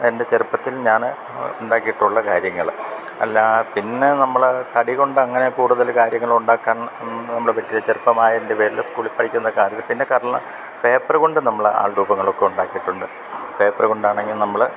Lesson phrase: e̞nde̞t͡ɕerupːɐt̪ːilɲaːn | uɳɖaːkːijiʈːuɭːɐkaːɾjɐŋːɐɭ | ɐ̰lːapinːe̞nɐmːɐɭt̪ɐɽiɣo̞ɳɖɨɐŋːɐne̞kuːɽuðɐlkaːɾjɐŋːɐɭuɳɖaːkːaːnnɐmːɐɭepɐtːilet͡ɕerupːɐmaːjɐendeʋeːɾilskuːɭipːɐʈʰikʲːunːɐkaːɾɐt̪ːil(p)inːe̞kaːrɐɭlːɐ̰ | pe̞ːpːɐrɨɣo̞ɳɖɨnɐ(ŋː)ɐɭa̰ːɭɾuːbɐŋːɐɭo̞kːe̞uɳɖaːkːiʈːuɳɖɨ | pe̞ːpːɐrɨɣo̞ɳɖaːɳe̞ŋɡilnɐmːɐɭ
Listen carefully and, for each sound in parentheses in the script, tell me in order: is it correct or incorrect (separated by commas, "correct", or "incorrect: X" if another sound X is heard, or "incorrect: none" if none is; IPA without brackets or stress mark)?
correct, incorrect: mː